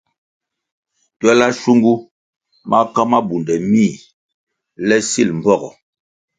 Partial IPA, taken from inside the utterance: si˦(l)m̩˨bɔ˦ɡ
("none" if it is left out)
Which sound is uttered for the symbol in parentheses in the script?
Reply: l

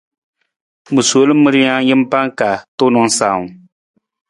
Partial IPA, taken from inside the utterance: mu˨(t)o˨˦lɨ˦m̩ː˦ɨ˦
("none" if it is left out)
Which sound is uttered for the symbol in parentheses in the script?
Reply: s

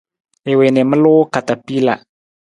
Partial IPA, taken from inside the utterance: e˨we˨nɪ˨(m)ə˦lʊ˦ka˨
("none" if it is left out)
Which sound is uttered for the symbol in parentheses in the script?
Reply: m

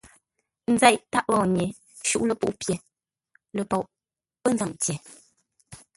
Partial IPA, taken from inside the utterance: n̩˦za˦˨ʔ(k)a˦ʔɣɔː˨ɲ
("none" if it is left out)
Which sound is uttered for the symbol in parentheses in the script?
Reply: t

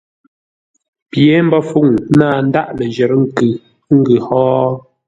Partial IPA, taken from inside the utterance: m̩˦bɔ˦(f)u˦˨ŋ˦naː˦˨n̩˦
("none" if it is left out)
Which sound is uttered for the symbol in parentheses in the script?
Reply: f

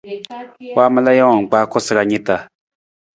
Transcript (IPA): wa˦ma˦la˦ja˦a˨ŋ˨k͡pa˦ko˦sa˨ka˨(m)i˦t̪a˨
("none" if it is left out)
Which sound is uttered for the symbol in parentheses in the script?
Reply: ɲ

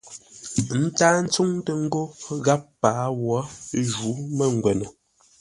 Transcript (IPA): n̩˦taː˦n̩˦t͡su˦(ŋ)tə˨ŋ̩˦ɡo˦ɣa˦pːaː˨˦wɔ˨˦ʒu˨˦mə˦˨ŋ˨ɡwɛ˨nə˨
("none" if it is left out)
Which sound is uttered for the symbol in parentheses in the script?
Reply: ŋ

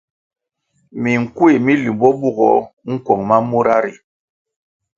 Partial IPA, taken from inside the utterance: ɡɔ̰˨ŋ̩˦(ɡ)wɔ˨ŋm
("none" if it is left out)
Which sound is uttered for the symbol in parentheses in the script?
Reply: k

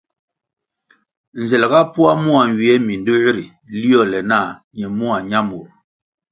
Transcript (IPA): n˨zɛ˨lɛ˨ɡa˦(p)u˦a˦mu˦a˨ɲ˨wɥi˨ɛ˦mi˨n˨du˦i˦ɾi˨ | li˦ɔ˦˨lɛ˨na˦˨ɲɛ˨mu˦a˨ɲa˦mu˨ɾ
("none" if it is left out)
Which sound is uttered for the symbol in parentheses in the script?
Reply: p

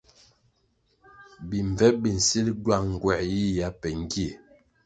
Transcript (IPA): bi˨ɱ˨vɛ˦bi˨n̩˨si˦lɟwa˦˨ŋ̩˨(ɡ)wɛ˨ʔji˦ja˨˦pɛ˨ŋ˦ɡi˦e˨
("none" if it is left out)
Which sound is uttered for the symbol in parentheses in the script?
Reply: ɡ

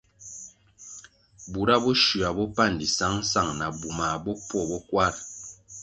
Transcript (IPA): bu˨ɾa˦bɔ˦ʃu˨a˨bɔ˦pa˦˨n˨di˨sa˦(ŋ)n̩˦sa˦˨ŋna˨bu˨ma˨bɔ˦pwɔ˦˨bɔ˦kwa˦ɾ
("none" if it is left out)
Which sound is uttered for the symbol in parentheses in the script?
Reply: ŋ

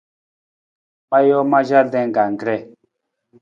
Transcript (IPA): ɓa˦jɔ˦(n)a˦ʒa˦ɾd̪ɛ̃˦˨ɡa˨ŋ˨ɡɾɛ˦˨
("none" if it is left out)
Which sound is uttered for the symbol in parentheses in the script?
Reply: m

